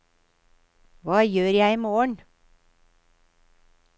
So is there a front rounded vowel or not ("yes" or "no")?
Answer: yes